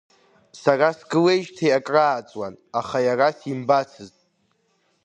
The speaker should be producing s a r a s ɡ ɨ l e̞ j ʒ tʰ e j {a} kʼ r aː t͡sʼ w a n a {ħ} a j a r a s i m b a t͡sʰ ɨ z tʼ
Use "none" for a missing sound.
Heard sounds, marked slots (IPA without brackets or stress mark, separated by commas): a, χ